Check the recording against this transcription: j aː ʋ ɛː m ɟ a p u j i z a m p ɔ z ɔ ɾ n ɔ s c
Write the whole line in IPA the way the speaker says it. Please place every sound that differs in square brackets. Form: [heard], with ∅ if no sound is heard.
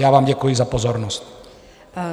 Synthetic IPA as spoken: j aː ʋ [aː] m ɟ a [k] u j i z a [∅] p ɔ z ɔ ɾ n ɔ s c